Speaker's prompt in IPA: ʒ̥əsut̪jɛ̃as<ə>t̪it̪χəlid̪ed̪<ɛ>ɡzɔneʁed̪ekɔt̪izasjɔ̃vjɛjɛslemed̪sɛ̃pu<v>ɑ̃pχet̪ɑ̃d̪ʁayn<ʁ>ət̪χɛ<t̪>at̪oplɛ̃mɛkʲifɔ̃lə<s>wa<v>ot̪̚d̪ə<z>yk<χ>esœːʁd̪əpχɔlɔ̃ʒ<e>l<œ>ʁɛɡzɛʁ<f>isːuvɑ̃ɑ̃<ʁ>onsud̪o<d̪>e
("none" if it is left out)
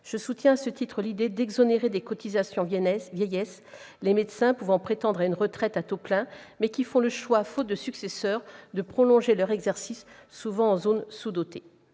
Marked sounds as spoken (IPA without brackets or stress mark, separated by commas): ə, ɛ, v, ʁ, t̪, ʃ, f, s, s, e, œ, s, z, t̪